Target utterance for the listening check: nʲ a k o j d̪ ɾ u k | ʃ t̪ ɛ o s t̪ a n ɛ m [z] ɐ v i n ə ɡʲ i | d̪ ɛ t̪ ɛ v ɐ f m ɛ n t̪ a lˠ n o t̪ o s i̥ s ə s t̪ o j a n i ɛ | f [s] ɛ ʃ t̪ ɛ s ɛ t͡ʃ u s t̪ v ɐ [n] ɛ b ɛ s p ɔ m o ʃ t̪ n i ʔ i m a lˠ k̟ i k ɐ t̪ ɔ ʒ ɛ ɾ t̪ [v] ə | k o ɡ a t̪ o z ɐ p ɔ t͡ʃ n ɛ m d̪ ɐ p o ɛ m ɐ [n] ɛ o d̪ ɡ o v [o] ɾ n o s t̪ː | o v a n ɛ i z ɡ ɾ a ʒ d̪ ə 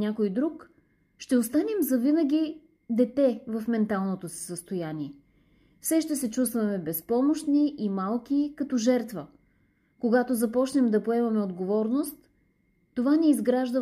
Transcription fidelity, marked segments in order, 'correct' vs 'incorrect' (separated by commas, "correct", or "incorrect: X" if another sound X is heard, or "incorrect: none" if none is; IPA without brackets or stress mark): correct, correct, incorrect: m, correct, incorrect: m, incorrect: ɔ